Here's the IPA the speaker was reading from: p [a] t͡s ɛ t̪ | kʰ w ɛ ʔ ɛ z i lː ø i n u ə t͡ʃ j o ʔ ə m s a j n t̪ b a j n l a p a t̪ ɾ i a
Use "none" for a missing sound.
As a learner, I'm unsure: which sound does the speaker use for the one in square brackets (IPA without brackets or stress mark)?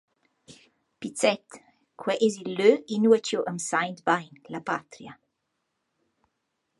i